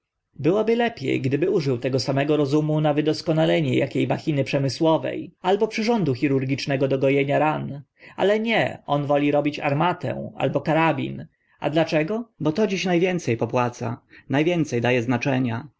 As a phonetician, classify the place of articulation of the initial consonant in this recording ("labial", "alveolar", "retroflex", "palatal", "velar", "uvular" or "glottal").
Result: labial